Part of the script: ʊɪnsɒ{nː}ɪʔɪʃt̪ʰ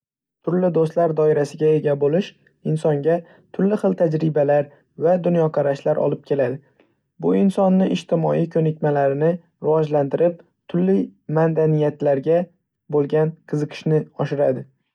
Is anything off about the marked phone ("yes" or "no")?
no